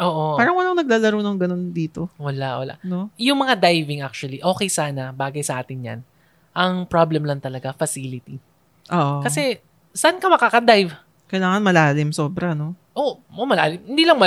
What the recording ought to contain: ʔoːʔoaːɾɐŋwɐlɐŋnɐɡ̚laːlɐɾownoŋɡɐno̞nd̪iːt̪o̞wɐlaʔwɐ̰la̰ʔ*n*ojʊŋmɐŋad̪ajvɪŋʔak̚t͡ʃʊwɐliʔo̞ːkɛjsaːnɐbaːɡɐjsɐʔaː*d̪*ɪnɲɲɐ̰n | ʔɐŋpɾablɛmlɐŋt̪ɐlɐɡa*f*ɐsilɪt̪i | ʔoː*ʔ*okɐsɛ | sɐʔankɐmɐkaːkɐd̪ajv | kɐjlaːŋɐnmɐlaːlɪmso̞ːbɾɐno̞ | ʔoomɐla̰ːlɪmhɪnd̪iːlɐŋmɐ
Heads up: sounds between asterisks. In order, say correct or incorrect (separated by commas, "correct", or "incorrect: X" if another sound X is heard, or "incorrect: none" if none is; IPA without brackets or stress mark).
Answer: correct, incorrect: t̪, correct, correct